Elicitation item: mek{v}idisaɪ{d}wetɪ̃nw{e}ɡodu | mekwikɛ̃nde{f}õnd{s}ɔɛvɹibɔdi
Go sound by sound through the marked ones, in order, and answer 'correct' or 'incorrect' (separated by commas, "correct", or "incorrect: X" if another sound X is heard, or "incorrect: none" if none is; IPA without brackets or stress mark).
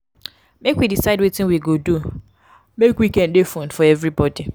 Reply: incorrect: w, correct, incorrect: i, correct, incorrect: f